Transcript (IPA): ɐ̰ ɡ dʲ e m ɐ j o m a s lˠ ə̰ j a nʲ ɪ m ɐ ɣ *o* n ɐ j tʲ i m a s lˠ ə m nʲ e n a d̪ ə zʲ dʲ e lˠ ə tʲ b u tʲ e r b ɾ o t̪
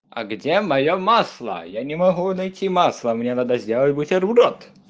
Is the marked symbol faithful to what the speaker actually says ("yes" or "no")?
no